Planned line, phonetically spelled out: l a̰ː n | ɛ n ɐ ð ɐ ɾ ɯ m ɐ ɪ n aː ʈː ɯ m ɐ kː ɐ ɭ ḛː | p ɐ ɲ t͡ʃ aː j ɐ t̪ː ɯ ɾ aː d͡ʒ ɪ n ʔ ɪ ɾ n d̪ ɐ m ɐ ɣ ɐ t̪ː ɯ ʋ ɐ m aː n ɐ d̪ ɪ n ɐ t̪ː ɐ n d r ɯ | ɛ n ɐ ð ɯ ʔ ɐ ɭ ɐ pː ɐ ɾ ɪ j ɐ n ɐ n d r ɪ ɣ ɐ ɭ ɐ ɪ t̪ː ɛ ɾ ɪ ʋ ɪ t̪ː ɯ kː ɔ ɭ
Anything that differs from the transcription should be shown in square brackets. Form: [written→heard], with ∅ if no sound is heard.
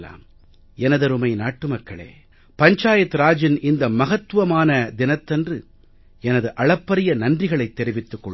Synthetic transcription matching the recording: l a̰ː [n→m] | ɛ n ɐ ð ɐ ɾ ɯ m ɐ ɪ n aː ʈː ɯ m ɐ kː ɐ ɭ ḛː | p ɐ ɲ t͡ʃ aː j ɐ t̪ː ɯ ɾ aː d͡ʒ ɪ n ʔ ɪ [ɾ→∅] n d̪ ɐ m ɐ ɣ ɐ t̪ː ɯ ʋ ɐ m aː n ɐ d̪ ɪ n ɐ t̪ː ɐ n d r ɯ | ɛ n ɐ ð ɯ ʔ ɐ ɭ ɐ pː ɐ ɾ ɪ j ɐ n ɐ n d r ɪ ɣ ɐ ɭ ɐ ɪ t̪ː ɛ ɾ ɪ ʋ ɪ t̪ː ɯ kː ɔ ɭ